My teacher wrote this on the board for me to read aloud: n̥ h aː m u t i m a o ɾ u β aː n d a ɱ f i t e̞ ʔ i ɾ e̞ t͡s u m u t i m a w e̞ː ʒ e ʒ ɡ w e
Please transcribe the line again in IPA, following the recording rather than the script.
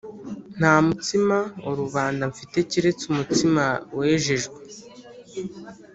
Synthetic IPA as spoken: n̥ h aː m u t i m a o ɾ u β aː n d a ɱ f i t e̞ c i ɾ e̞ t͡s u m u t i m a w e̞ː ʒ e ʒ ɡ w e